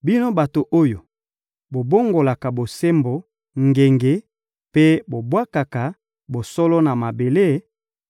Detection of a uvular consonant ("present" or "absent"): absent